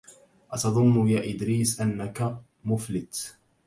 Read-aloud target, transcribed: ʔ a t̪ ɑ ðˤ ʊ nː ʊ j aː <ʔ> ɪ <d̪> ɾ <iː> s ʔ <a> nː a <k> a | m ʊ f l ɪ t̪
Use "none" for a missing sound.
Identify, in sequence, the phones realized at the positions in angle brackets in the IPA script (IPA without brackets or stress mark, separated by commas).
ʔ, d̪, iː, a, k